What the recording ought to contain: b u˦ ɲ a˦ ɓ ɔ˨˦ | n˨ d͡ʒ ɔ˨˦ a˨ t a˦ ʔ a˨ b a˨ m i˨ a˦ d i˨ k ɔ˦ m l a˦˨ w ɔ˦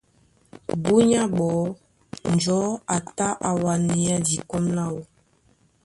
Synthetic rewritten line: b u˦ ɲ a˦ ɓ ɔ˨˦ | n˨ d͡ʒ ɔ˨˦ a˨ t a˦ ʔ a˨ w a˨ n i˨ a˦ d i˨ k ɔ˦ m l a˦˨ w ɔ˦